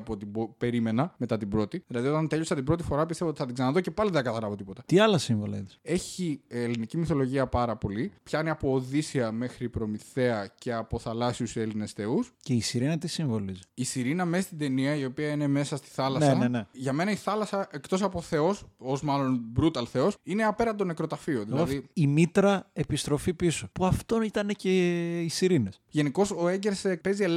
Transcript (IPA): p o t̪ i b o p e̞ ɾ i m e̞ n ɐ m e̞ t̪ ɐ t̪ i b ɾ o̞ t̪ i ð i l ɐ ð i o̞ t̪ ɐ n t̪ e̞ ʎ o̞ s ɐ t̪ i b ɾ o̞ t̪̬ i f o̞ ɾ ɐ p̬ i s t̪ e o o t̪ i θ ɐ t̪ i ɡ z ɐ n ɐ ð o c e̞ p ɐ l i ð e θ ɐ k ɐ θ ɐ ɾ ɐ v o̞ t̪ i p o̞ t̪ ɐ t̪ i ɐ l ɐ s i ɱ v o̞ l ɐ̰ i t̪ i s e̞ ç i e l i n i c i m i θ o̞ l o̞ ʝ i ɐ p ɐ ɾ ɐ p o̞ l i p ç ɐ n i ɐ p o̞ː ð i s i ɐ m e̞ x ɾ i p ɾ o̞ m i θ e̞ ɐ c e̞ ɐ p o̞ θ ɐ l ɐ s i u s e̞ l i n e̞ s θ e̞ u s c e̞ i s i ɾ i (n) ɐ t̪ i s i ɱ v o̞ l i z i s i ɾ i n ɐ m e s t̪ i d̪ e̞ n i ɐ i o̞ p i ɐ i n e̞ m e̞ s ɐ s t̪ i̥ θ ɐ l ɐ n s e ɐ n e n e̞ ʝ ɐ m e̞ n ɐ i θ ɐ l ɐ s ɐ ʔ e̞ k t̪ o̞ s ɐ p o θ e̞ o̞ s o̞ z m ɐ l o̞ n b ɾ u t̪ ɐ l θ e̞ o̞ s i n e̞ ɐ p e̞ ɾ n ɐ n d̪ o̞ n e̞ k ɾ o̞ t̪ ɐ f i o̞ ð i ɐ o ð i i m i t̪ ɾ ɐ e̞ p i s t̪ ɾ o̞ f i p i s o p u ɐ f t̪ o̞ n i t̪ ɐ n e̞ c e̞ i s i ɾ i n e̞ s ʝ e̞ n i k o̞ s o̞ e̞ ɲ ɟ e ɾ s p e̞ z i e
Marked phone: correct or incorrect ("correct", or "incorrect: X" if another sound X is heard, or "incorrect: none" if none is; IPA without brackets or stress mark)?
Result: correct